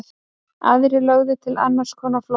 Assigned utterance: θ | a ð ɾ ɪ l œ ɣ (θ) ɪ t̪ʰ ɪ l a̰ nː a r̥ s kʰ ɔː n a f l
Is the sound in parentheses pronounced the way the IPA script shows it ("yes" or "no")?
no